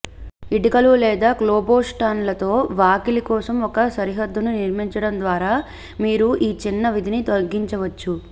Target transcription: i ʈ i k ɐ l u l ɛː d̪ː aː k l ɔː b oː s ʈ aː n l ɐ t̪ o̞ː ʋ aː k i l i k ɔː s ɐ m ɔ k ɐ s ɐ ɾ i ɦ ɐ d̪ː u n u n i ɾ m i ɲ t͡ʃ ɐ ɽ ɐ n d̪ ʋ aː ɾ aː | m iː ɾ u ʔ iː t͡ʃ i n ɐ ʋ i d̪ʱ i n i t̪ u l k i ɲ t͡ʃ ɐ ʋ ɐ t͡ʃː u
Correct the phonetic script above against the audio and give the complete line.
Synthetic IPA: i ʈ i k ɐ l u l ɛː d̪ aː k l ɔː b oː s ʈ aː n l ɐ t̪ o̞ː ʋ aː k i l i k ɔː s ɐ m ɔ k ɐ s ɐ ɾ i ɦ ɐ d̪ː u n u n i ɾ m i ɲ t͡ʃ ɐ ɽ ɐ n d̪ ʋ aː ɾ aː | m iː ɾ u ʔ iː t͡ʃ i nː ɐ ʋ i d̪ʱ i n i t̪ o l ɡ i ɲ t͡ʃ ɐ ʋ ɐ t͡ʃː u